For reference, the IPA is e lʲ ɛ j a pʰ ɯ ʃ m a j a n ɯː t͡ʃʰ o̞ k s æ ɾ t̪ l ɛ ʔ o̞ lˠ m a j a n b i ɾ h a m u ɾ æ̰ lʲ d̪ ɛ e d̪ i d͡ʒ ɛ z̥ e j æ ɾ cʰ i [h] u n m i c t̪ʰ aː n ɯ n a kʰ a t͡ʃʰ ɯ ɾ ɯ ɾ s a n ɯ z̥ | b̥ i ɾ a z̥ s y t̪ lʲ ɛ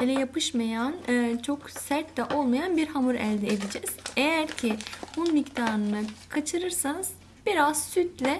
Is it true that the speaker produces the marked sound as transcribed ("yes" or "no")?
yes